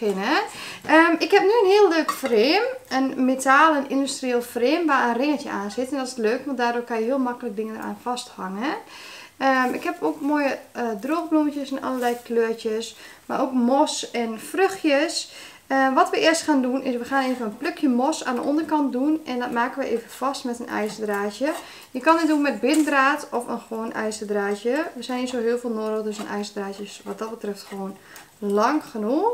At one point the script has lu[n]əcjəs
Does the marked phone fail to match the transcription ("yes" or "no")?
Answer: yes